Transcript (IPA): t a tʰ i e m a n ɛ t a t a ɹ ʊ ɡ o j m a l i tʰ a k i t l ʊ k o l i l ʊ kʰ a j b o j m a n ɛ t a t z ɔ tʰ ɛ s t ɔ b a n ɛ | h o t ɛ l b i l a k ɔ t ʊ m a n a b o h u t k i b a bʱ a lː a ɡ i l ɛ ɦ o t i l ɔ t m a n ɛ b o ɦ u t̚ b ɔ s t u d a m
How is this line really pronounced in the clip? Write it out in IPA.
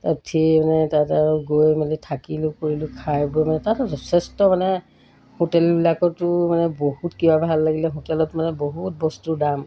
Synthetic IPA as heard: t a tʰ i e m a n ɛ t a t a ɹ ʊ ɡ o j m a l i tʰ a k i l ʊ k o ɹ i l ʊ kʰ a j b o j m a n ɛ t a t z ɔ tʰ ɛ s t ɔ m a n ɛ | h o t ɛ l b i l a k ɔ t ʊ m a n ɛ b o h u t k i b a bʱ a lː a ɡ i l ɛ ɦ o t ɛ l ɔ t m a n ɛ b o ɦ u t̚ b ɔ s t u d a m